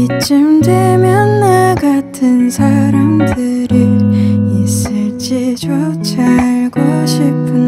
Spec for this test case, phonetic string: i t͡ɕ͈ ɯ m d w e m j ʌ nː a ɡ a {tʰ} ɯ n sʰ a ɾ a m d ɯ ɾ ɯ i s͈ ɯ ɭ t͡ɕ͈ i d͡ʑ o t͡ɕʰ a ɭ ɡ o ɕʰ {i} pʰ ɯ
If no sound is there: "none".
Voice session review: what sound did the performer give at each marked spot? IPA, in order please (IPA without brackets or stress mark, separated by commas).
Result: tʰ, i